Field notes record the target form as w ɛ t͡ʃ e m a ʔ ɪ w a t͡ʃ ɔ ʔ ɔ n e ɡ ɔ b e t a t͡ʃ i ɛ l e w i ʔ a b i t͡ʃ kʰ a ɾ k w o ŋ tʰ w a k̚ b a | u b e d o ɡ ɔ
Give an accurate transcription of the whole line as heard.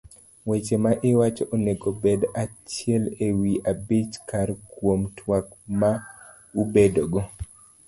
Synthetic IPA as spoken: w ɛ t͡ʃ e m a ʔ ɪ w a t͡ʃ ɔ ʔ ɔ n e ɡ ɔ b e d a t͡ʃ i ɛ l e w i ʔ a b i t͡ʃ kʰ a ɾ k w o m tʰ w a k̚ m a | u b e d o ɡ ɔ

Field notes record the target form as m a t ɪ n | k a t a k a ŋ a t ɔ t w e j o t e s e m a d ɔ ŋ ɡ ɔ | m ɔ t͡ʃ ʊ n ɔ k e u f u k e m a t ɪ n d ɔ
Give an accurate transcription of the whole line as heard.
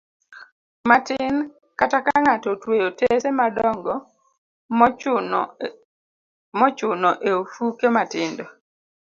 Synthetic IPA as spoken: m a t ɪ n | k a t a k a ŋ a t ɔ t w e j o t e s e m a d ɔ ŋ ɡ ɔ | m ɔ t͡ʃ ʊ n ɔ ʔ e o f u k e m a t ɪ n d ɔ

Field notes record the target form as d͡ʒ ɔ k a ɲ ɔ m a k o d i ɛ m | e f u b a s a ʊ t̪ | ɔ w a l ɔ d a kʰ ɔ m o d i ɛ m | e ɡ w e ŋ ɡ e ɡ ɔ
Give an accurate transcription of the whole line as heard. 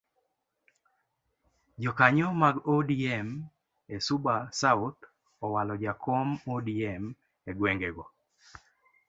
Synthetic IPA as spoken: d͡ʒ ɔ k a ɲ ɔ m a ɡ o d i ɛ m | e s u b a s a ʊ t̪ | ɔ w a l ɔ d͡ʒ a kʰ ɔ m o d i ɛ m | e ɡ w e ŋ ɡ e ɡ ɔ

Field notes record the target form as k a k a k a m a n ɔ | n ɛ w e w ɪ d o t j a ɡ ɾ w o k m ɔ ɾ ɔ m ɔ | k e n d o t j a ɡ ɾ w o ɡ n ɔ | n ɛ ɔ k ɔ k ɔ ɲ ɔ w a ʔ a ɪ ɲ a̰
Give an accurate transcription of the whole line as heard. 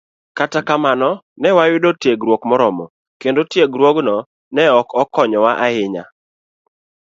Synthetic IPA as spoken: k a t a k a m a n ɔ | n ɛ w a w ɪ d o t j e ɡ ɾ w o k m ɔ ɾ ɔ m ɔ | k e n d o t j e ɡ ɾ w o ɡ n ɔ | n ɛ ɔ k ɔ k ɔ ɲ ɔ w a ʔ a ɪ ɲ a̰

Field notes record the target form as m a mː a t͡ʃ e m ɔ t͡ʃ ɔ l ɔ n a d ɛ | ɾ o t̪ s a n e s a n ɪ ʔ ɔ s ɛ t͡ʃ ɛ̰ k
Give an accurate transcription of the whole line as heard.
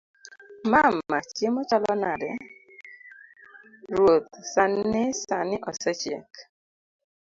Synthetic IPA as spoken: m a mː a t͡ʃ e m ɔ t͡ʃ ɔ l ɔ n a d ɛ | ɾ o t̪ s a n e s a n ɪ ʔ ɔ s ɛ t͡ʃ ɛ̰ k

